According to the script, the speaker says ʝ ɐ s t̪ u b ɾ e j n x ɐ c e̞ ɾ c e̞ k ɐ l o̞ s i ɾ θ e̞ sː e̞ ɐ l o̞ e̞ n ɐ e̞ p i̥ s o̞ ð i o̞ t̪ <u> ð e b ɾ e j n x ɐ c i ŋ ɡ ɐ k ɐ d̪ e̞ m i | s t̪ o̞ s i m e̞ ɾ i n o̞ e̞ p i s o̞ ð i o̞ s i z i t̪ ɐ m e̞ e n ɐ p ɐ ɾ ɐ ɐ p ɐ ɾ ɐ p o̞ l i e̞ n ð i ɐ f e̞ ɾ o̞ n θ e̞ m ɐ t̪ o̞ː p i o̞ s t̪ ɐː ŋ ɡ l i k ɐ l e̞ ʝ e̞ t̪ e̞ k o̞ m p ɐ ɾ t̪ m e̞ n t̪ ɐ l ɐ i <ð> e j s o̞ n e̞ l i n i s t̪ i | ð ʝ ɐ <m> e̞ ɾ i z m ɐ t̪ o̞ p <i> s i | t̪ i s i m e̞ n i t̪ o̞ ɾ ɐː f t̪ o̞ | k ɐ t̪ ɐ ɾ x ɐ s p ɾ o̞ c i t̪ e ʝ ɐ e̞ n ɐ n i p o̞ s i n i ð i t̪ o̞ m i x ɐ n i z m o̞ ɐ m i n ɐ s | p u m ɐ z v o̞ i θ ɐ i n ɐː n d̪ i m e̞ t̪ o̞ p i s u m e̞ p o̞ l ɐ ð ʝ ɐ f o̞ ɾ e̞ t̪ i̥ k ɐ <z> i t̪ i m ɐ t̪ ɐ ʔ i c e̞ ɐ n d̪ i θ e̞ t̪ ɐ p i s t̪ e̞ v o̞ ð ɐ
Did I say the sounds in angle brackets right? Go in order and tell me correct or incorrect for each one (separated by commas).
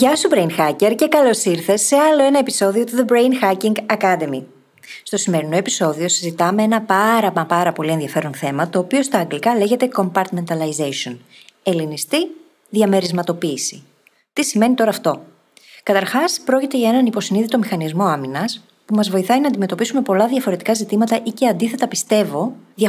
correct, incorrect, correct, incorrect, correct